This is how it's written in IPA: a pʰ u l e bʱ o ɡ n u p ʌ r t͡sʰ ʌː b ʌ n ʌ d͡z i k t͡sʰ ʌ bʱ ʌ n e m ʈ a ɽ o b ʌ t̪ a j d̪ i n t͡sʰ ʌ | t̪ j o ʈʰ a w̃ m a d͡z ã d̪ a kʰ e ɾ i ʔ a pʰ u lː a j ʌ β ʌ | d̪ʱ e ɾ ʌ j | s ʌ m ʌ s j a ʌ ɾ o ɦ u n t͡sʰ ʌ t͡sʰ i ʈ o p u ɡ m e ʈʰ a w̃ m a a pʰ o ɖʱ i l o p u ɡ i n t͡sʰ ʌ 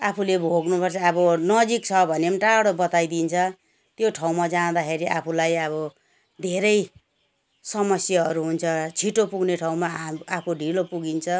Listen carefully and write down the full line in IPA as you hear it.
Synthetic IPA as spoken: a pʰ u l e bʱ o ɡ n u p ʌ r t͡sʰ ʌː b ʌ n ʌ d͡z i k t͡sʰ ʌ bʱ ʌ n e m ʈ a ɽ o b ʌ t̪ a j d̪ i n t͡sʰ ʌ | t̪ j o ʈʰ a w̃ m a d͡z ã d̪ a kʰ e ɾ i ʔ a pʰ u l a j ʌ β ʌ | d̪ʱ e ɾ ʌ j | s ʌ m ʌ s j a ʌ ɾ u ɦ u n t͡sʰ ʌ t͡sʰ i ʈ o p u ɡ n e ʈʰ a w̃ m a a pʰ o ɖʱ i l o p u ɡ i n t͡sʰ ʌ